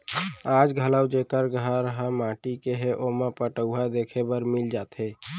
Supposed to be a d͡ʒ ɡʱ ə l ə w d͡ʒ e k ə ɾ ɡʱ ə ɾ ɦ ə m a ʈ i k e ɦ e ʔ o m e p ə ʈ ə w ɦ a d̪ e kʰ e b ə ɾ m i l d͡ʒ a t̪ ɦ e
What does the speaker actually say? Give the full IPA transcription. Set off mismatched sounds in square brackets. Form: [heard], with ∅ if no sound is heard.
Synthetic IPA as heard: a d͡ʒ ɡʱ ə l ə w d͡ʒ e k ə ɾ ɡʱ ə ɾ ɦ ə m a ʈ i k e ɦ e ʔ o m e p ə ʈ ə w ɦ a d̪ e kʰ e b ə ɾ m i l d͡ʒ a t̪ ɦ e